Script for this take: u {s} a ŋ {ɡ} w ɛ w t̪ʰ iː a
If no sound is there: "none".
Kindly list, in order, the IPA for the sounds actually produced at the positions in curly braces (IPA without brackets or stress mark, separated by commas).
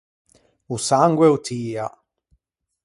s, ɡ